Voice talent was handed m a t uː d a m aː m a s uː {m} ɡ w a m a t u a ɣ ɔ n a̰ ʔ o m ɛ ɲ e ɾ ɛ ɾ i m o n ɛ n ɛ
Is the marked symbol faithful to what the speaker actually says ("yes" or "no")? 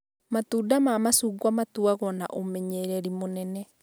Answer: no